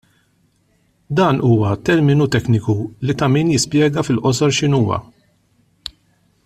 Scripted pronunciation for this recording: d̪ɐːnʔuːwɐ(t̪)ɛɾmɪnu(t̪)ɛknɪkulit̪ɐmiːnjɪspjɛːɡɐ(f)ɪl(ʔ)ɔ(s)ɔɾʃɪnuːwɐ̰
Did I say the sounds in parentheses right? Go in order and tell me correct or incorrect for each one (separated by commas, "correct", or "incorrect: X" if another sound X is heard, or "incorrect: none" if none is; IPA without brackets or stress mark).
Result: correct, correct, correct, correct, correct